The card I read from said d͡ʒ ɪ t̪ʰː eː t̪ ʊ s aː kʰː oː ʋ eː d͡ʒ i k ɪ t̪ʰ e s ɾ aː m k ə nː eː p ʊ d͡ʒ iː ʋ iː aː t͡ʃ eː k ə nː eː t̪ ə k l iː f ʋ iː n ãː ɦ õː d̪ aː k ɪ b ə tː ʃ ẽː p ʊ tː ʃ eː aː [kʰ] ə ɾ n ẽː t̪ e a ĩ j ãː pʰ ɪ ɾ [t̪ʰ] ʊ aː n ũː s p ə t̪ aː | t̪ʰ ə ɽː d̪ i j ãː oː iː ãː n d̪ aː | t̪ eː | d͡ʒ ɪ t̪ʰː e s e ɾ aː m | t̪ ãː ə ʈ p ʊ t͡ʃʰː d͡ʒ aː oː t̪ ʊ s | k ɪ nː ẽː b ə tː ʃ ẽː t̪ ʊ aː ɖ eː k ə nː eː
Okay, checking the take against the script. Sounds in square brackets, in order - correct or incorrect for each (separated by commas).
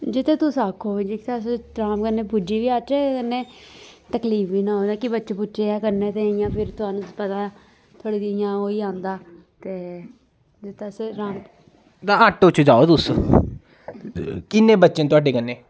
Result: incorrect, incorrect